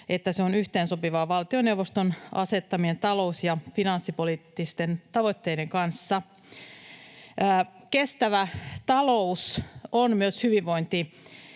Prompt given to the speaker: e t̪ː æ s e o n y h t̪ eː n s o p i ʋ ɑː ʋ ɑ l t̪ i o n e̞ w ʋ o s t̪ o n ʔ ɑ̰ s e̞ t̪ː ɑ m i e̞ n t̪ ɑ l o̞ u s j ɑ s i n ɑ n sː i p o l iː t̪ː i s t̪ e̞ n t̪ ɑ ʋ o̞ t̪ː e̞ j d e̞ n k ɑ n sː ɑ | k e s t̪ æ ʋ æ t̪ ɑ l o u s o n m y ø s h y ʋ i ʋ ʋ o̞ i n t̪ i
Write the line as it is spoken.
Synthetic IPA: e t̪ː æ s e o n y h t̪ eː n s o p i ʋ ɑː ʋ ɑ l t̪ i o n e̞ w ʋ o s t̪ o n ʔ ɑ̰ s e̞ t̪ː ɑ m i e̞ n t̪ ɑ l o̞ u s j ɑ f i n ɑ n sː i p o l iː t̪ː i s t̪ e̞ n t̪ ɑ ʋ o̞ t̪ː e̞ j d e̞ ŋ k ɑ n sː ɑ | k e s t̪ æ ʋ æ t̪ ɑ l o u s o n m y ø s h y ʋ i ʋ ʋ o̞ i n t̪ i